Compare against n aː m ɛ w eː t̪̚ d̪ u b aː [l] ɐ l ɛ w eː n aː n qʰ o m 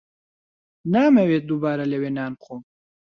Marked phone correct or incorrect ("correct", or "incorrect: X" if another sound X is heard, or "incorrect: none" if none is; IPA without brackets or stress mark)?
incorrect: ɾ